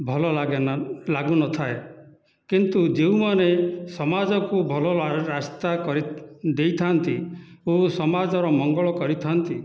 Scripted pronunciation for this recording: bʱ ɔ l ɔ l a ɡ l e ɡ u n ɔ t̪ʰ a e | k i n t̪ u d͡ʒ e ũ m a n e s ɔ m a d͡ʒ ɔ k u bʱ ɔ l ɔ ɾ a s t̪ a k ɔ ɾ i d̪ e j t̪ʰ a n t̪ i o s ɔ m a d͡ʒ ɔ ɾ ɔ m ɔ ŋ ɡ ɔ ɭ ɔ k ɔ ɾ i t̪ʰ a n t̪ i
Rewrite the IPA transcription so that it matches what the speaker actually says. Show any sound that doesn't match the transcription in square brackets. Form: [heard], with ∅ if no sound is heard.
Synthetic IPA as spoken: bʱ ɔ l ɔ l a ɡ l [a] ɡ u n ɔ t̪ʰ a e | k i n t̪ u d͡ʒ e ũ m a n e s ɔ m a d͡ʒ ɔ k u bʱ ɔ l ɔ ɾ a s t̪ a k ɔ ɾ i d̪ e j t̪ʰ a n t̪ i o s ɔ m a d͡ʒ ɔ ɾ ɔ m ɔ ŋ ɡ ɔ ɭ ɔ k ɔ ɾ i t̪ʰ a n t̪ i